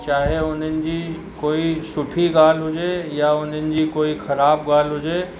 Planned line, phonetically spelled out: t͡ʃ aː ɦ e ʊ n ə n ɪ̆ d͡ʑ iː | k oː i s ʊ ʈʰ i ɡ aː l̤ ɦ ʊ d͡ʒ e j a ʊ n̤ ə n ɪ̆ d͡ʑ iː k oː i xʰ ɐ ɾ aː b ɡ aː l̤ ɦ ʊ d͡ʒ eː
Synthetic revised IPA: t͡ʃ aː ɦ e ʊ n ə n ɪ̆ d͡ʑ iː | k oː i s ʊ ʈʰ i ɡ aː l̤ ɦ ʊ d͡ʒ e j a ʊ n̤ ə n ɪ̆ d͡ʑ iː k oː i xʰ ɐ ɾ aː b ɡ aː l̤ ɦ ʊ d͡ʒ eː